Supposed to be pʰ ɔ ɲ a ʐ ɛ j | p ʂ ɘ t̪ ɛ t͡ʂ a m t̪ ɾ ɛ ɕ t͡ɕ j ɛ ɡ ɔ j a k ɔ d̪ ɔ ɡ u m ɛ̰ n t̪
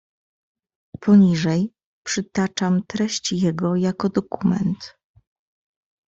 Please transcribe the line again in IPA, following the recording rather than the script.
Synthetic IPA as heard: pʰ ɔ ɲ i ʐ ɛ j | p ʂ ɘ t̪ a t͡ʂ a m t̪ ɾ ɛ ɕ t͡ɕ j ɛ ɡ ɔ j a k ɔ d̪ ɔ k u m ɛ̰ n t̪